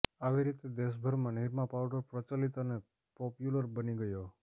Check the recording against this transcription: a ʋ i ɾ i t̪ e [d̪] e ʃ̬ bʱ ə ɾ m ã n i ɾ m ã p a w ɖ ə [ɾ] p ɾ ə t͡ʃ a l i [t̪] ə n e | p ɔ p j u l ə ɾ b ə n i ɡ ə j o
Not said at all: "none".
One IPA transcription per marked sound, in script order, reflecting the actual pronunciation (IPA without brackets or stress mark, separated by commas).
d̪, ɾ, t̪